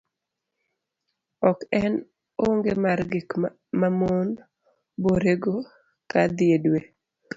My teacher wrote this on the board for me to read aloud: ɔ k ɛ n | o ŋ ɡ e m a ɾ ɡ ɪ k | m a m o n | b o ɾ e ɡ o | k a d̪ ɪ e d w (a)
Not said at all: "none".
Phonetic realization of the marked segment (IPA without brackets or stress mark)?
e